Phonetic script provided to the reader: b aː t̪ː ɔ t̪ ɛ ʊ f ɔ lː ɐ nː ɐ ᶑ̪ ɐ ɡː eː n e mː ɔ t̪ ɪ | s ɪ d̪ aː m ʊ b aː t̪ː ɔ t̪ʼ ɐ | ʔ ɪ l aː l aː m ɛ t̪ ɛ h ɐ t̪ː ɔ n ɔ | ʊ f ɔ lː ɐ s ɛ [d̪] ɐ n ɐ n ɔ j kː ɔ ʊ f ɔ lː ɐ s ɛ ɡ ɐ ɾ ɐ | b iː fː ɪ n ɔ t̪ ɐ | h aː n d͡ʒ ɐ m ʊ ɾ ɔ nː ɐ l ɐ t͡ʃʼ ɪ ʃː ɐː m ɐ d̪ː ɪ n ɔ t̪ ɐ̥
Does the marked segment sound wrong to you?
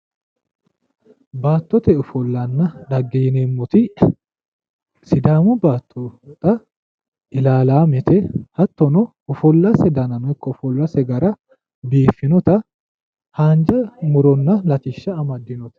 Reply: no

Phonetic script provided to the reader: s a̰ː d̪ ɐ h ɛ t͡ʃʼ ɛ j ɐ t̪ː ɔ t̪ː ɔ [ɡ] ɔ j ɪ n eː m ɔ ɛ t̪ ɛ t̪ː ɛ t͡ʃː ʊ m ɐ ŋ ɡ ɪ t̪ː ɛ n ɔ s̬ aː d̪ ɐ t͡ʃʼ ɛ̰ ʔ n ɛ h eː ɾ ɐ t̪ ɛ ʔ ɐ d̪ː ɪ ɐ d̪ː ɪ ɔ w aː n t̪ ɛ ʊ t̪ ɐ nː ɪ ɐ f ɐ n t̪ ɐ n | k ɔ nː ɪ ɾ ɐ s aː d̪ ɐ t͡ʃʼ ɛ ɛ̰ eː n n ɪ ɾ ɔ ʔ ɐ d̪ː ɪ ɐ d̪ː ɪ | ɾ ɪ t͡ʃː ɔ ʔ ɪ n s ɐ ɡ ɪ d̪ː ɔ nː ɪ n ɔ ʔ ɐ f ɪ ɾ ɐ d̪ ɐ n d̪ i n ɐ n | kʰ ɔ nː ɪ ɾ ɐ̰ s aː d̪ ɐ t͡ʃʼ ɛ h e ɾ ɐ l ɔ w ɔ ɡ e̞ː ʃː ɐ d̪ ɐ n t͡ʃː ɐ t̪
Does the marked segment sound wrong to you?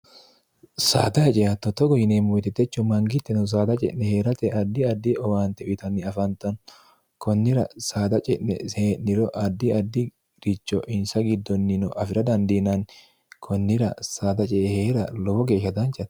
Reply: no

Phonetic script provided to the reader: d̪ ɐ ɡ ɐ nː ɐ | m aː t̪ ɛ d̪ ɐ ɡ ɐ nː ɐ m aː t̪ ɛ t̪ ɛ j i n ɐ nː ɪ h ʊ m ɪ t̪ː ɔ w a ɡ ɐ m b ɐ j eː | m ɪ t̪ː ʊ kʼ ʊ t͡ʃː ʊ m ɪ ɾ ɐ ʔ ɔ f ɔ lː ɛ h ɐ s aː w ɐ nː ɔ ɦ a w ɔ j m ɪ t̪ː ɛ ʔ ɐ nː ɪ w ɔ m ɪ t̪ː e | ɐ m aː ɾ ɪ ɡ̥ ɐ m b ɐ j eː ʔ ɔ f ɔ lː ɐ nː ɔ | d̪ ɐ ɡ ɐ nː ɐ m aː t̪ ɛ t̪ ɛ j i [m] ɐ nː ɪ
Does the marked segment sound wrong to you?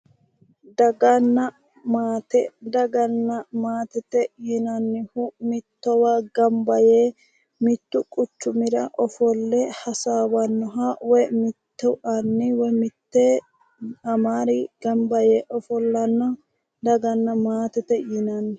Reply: yes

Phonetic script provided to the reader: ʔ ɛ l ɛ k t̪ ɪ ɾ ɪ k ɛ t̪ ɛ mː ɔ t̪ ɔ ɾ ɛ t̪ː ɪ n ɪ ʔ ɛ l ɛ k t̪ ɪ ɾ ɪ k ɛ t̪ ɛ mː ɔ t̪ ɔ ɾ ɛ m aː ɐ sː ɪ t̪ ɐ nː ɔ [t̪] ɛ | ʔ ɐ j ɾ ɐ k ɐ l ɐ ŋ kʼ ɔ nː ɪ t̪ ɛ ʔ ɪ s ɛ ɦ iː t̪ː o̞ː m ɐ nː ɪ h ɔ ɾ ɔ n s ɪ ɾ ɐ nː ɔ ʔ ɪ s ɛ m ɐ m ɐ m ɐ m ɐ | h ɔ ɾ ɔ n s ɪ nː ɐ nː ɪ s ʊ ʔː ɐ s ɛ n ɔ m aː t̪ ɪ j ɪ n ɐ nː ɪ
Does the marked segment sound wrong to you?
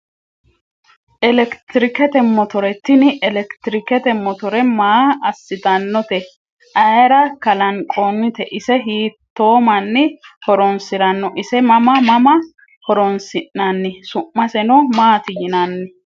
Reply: no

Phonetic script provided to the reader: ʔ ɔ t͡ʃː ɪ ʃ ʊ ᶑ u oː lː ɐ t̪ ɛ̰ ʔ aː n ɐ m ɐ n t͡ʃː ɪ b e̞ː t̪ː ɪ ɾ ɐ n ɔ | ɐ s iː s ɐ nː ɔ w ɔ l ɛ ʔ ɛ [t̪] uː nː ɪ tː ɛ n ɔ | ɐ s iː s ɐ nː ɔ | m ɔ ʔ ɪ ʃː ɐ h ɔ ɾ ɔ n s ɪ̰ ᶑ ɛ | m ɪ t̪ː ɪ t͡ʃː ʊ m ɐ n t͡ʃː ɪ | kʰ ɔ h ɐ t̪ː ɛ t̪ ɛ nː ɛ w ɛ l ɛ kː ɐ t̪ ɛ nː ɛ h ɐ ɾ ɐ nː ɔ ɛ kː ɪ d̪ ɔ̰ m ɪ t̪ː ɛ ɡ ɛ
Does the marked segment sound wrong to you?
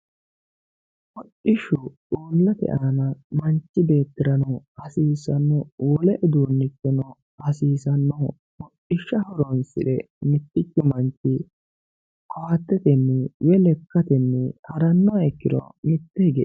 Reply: yes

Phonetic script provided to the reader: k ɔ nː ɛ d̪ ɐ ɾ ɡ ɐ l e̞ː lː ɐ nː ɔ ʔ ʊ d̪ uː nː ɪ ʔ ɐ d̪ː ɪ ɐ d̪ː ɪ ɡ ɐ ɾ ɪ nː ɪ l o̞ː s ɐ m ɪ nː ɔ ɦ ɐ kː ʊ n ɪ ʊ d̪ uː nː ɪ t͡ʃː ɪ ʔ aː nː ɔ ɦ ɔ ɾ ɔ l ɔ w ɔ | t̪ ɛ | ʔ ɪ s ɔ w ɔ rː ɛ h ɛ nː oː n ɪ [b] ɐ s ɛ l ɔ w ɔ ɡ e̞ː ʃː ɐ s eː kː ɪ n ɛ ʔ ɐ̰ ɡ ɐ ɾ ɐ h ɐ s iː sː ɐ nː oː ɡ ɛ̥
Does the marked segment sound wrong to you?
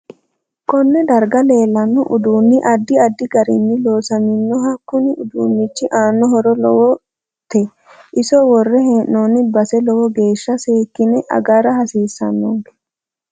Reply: no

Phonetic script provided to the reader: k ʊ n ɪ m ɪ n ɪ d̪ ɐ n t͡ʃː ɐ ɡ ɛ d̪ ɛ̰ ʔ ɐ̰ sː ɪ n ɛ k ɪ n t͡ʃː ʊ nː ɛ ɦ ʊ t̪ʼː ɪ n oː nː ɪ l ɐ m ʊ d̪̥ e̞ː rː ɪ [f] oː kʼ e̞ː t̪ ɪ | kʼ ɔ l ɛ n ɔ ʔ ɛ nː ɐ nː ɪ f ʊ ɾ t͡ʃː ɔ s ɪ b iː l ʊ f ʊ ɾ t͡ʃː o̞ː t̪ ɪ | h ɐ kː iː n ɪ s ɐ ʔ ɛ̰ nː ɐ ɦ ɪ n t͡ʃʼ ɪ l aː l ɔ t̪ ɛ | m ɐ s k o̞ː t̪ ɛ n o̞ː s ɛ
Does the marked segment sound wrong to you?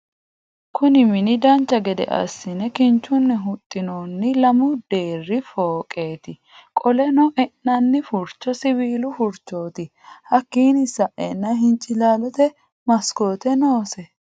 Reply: no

